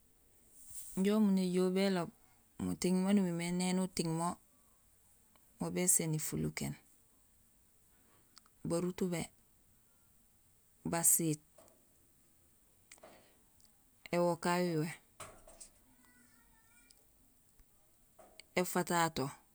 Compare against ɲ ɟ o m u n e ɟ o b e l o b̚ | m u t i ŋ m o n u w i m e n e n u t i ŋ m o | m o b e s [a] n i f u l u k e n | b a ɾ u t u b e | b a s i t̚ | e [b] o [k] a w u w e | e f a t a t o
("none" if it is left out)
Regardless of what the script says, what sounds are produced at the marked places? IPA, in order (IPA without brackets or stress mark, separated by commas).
e, w, k